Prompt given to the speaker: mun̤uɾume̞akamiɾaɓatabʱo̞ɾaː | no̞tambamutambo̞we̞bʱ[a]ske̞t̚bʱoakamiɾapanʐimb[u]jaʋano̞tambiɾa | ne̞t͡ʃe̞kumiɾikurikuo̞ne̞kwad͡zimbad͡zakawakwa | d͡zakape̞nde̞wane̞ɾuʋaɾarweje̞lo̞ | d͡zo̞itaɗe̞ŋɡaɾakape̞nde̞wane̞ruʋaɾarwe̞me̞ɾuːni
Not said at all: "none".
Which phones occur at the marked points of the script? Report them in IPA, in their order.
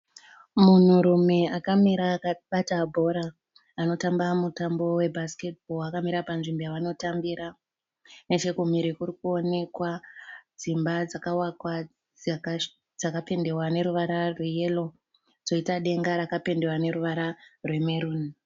a, o

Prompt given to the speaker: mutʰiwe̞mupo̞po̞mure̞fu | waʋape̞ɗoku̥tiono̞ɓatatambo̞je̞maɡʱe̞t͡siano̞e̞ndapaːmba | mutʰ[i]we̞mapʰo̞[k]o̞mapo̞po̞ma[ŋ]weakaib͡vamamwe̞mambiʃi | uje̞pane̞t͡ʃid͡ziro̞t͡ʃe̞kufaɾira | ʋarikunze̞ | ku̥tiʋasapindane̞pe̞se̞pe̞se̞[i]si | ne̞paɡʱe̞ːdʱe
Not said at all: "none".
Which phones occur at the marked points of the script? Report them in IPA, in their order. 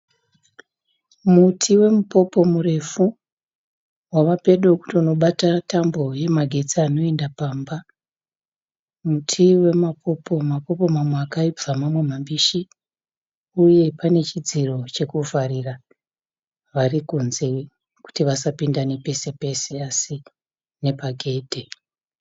i, p, m, a

